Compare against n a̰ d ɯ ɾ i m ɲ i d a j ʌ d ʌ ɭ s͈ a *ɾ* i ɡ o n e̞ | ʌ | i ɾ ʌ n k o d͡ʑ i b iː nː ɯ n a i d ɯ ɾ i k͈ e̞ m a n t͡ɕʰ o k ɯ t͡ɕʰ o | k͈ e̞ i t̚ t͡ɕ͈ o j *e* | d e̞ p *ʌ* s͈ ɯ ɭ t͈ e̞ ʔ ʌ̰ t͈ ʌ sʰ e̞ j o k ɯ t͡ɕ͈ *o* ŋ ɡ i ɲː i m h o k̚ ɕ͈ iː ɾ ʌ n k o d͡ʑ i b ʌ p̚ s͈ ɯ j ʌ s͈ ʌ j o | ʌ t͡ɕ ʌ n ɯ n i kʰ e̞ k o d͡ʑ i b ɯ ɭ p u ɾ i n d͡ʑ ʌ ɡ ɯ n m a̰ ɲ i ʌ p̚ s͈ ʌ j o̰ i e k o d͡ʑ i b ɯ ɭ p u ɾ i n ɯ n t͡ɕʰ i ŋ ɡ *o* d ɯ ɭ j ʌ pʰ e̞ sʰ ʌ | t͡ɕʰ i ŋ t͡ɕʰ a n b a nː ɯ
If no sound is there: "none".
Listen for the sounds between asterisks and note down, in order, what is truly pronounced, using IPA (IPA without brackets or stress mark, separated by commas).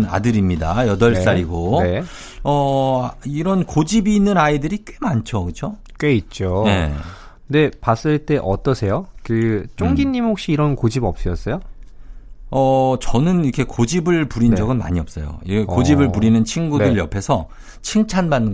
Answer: ɾ, e, a, o, u